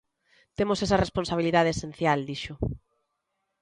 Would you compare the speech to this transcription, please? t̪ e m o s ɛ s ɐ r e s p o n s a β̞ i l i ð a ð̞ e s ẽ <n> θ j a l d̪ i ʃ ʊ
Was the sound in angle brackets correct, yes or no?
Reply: yes